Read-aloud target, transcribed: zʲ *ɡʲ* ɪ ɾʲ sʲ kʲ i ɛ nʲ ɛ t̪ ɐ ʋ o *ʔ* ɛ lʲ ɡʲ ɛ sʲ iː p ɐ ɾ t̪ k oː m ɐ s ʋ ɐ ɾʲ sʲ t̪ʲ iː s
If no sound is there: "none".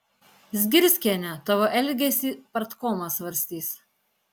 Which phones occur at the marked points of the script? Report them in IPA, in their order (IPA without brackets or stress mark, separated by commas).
ɡʲ, ʔ